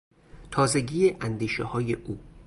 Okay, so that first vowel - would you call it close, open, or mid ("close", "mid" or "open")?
open